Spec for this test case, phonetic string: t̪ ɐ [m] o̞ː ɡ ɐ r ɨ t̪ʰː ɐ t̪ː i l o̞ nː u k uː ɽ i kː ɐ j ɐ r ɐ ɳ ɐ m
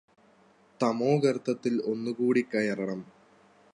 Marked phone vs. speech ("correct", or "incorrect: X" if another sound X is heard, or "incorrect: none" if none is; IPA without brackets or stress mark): correct